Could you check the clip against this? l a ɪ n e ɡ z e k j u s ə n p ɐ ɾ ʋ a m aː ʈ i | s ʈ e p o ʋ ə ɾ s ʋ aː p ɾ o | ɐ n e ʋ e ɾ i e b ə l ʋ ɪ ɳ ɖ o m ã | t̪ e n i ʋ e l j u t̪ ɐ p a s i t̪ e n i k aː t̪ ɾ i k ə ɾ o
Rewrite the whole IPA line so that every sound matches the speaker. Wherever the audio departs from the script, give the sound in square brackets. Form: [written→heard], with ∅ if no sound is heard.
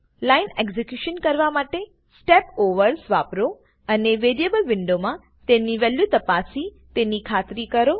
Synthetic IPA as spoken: l a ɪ n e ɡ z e k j u [s→ʃ] ə n [p→k] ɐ ɾ ʋ a m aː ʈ [i→e] | s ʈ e p o ʋ ə ɾ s ʋ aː p ɾ o | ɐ n e ʋ e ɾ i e b ə l ʋ ɪ ɳ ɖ o m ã | t̪ e n i ʋ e l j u t̪ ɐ p a s i t̪ e n i [k→kʰ] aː t̪ ɾ i k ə ɾ o